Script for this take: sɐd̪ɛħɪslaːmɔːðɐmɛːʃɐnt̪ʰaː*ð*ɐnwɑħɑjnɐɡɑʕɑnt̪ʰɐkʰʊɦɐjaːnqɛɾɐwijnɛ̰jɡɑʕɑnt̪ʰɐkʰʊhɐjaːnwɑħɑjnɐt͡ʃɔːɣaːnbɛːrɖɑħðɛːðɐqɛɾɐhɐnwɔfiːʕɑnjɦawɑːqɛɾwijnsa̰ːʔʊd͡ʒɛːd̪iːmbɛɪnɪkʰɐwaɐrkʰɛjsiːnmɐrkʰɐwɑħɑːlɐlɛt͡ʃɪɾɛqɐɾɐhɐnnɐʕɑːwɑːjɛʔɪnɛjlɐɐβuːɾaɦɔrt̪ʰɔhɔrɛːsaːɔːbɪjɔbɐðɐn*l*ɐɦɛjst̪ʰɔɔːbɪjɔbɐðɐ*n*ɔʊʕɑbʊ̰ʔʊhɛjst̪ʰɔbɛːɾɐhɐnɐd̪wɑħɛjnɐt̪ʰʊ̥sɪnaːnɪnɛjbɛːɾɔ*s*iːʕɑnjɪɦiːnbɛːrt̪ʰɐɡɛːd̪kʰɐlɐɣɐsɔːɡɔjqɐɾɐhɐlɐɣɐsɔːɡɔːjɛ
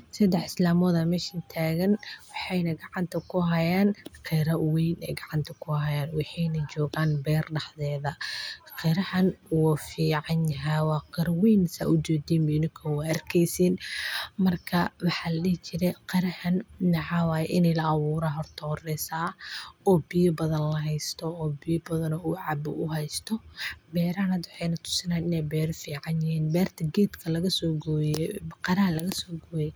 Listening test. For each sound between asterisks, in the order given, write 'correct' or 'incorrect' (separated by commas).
incorrect, correct, correct, incorrect